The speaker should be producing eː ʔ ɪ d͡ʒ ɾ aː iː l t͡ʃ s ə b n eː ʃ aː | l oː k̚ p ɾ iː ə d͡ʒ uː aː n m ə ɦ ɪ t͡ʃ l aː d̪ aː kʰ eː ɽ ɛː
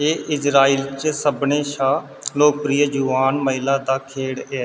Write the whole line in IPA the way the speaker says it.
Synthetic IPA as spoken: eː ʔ ɪ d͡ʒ ɾ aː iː l t͡ʃ s ə b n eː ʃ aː | l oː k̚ p ɾ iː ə d͡ʒ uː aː n m ə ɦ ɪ l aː d̪ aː kʰ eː ɽ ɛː

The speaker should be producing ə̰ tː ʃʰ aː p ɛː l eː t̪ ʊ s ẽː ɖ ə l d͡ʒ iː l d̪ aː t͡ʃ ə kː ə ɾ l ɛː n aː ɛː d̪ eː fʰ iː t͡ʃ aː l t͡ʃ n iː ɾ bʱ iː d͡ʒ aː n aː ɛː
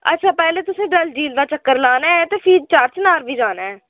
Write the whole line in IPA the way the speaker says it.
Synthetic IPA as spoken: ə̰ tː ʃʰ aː p ɛː l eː t̪ ʊ s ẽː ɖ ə l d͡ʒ iː l d̪ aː t͡ʃ ə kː ə ɾ l aː n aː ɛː t̪ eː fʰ iː t͡ʃ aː ɾ t͡ʃ n aː ɾ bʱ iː d͡ʒ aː n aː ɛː

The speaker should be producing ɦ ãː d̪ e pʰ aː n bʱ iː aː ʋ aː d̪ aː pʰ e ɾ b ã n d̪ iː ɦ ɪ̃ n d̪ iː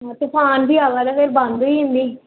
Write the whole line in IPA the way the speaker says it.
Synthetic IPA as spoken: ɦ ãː t̪ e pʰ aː n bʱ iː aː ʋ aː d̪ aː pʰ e ɾ b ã n d̪ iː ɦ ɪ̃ n d̪ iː

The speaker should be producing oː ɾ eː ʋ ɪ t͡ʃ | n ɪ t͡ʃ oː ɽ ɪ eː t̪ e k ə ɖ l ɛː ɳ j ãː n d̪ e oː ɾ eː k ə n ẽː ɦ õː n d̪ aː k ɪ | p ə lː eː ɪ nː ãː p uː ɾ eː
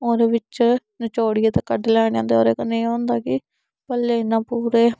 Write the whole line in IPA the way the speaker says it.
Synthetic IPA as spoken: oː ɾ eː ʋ ɪ t͡ʃ | n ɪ t͡ʃ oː ɽ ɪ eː t̪ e k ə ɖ l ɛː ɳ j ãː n d̪ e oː ɾ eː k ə n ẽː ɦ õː n d̪ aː k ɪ | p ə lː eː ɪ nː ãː p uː ɾ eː

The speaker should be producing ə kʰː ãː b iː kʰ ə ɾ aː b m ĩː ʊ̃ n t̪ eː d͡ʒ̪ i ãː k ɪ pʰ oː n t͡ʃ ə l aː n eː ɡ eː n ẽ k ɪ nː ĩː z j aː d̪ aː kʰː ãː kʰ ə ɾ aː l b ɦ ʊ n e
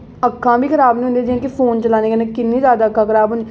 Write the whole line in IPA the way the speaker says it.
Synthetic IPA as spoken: ə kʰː ãː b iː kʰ ə ɾ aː b n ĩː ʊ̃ n d̪ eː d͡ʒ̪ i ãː k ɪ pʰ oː n t͡ʃ ə l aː n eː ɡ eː n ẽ k ɪ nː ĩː z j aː d̪ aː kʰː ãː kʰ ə ɾ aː b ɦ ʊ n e

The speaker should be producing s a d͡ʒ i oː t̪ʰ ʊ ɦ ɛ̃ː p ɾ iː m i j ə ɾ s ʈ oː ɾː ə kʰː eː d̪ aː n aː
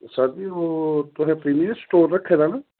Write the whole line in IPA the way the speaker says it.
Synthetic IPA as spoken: s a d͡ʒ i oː t̪ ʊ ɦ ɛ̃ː p ɾ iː m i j ə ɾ s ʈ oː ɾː ə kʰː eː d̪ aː n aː

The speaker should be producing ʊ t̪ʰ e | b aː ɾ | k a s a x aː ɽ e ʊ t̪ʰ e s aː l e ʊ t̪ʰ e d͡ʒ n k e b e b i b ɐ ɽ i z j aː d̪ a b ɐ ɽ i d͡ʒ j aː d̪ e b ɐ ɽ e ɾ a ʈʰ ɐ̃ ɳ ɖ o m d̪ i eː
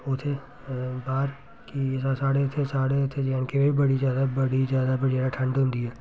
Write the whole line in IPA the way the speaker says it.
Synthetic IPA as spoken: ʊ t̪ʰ e | b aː ɾ | k i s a s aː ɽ e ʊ t̪ʰ e s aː ɽ e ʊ t̪ʰ e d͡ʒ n k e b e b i b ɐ ɽ i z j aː d̪ a b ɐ ɽ i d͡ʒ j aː d̪ a b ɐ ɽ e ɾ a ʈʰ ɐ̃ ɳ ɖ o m d̪ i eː

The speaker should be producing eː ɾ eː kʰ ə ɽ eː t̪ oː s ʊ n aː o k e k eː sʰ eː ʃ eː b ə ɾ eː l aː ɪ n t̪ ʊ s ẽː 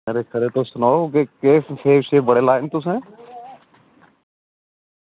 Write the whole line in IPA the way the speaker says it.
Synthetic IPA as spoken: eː ɾ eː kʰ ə ɾ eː t̪ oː s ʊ n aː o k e k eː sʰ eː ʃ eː b ə ɽ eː l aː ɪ n t̪ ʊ s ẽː

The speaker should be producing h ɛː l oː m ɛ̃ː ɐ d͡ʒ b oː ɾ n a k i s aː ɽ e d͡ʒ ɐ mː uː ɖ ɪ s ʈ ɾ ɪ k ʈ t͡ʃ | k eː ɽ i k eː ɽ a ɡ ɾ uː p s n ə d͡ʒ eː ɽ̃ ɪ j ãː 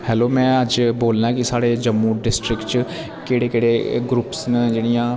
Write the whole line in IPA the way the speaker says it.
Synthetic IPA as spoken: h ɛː l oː m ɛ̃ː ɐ d͡ʒ b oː l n a k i s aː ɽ e d͡ʒ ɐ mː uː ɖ ɪ s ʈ ɾ ɪ k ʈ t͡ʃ | k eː ɽ e k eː ɽ e ɡ ɾ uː p s n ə d͡ʒ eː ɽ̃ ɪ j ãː

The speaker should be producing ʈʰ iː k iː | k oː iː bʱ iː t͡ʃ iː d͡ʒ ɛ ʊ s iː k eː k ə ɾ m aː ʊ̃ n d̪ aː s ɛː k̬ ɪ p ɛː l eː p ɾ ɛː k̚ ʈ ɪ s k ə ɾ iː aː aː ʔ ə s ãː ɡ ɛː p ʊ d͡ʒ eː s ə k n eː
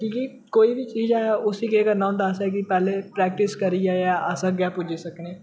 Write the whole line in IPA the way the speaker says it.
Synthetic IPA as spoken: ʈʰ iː k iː | k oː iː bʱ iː t͡ʃ iː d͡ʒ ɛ ʊ s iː k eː k ə ɾ n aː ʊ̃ n d̪ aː s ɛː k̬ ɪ p ɛː l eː p ɾ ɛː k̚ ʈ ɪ s k ə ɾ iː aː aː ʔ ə s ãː ɡ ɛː p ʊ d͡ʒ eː s ə k n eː

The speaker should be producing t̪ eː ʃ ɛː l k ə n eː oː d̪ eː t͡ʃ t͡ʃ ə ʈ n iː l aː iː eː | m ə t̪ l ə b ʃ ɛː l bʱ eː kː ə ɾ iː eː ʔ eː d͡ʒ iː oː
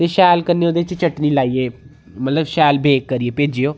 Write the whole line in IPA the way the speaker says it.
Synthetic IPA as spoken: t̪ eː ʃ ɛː l k ə n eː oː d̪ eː t͡ʃ t͡ʃ ə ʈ n iː l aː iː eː | m ə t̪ l ə b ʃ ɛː l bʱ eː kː ə ɾ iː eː p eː d͡ʒ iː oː

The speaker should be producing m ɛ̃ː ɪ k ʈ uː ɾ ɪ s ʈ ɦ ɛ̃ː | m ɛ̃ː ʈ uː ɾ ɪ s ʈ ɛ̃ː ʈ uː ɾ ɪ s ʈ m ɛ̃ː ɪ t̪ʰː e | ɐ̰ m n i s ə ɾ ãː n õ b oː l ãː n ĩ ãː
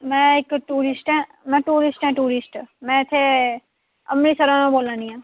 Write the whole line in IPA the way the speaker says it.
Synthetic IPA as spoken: m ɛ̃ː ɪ k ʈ uː ɾ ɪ s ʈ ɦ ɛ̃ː | m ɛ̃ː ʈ uː ɾ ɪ s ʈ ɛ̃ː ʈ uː ɾ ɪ s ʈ m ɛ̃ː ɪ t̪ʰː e | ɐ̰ m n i s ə ɾ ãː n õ b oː l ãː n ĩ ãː

